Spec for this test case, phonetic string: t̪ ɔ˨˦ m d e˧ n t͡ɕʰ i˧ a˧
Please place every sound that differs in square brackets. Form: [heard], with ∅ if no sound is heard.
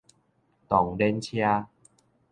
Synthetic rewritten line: t̪ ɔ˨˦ [ŋ] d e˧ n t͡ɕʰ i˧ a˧